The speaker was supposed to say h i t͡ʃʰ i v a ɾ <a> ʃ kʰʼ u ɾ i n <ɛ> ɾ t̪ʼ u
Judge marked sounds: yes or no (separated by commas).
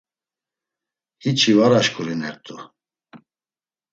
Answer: yes, yes